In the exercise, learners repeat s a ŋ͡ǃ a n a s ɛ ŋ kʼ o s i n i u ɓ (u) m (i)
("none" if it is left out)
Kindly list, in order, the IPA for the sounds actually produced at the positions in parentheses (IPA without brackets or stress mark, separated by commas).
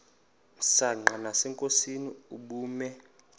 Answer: uː, ɛ